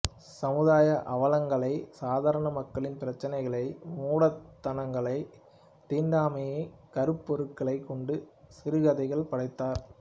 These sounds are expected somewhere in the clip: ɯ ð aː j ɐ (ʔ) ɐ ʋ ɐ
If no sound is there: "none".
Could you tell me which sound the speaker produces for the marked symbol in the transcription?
ʔ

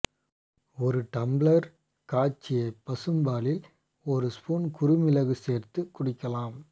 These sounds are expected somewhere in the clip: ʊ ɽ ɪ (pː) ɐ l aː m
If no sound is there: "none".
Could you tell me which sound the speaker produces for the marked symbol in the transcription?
kː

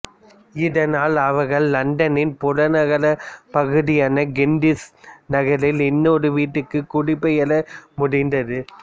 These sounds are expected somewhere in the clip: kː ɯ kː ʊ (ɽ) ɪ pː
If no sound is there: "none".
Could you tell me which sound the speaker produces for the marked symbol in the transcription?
ɽ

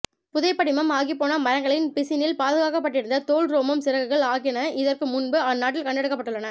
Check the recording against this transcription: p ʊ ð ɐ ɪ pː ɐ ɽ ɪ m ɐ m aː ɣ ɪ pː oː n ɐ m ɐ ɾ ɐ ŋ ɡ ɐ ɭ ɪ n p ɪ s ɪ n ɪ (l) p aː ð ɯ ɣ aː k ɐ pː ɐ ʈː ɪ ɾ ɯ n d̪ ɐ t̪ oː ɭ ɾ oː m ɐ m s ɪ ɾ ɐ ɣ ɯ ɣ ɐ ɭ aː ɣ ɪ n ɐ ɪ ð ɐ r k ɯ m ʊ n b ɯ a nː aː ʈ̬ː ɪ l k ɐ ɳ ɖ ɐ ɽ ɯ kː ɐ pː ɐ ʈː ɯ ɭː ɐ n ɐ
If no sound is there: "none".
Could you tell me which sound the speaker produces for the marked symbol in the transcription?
l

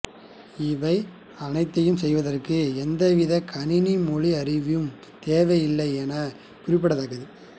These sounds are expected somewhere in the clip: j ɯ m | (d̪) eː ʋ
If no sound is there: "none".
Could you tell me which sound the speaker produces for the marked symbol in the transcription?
t̪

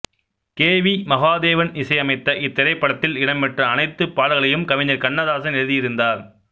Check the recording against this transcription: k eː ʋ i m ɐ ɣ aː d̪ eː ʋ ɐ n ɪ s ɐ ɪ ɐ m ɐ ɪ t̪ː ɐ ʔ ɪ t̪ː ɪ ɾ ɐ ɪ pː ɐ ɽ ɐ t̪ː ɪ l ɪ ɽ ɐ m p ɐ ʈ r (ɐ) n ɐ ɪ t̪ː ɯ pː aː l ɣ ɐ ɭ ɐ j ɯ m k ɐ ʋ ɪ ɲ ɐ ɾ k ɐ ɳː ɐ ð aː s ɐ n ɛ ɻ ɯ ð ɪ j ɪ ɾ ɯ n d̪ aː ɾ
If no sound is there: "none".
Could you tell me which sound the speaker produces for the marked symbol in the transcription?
ɐː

